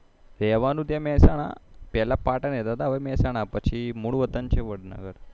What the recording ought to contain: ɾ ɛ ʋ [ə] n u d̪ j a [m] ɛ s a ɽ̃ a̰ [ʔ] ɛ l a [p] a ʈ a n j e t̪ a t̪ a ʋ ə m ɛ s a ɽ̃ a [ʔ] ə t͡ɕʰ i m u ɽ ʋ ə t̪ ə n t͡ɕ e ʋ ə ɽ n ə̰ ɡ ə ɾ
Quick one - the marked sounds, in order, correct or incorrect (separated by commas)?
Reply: incorrect, correct, incorrect, correct, incorrect